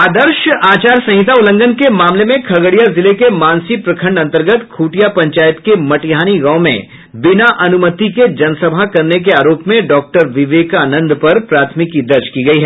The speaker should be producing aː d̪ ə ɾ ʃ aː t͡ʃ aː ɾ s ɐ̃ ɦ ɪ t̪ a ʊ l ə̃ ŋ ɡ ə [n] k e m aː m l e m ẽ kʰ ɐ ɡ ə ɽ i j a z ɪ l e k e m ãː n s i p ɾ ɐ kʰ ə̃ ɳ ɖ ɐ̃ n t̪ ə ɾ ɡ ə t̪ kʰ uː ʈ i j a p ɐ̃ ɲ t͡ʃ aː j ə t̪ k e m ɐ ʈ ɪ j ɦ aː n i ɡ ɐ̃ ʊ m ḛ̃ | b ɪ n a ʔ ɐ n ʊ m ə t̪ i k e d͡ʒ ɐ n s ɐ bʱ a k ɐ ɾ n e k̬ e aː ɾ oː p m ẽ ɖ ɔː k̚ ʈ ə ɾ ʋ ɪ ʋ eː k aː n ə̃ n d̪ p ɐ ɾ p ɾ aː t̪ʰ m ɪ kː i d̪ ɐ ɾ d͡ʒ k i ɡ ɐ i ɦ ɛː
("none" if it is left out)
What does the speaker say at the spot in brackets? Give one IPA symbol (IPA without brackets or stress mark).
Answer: n